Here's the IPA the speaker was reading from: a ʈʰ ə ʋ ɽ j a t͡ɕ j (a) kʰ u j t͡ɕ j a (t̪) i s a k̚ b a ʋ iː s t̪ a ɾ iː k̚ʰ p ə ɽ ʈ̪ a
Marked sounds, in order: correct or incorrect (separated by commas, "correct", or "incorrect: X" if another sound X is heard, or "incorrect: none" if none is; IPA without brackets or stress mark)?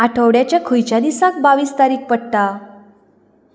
correct, incorrect: d̪